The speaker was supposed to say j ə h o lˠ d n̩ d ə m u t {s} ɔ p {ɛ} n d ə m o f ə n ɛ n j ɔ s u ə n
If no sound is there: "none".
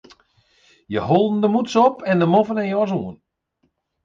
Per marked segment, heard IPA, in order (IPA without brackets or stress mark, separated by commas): s, ɛ